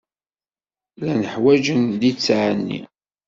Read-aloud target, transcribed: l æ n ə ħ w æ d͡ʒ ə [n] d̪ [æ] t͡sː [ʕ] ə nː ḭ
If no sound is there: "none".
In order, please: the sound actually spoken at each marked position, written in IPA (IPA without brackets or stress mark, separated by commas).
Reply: n, i, ʕ